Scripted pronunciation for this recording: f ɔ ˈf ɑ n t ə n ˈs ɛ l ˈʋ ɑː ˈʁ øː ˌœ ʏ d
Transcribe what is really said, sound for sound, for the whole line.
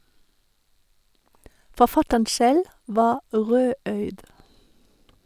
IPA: f ɔ ˈf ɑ t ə n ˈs ɛ l ˈʋ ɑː ˈʁ øː ˌœ ʏ d